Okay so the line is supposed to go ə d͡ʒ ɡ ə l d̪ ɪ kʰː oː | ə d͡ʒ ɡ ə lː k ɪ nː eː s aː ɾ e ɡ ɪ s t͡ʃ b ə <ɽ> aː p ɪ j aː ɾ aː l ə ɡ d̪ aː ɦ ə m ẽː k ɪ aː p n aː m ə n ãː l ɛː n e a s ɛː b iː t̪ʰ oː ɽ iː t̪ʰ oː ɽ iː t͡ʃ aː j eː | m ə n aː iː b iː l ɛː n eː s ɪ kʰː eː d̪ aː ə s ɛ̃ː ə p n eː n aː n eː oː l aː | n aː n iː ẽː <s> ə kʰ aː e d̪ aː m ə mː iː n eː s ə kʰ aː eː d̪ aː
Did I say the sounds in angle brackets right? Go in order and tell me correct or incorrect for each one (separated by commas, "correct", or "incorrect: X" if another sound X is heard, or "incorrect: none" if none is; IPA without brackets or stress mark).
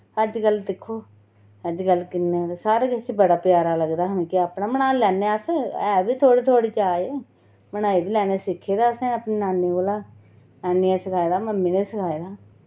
correct, correct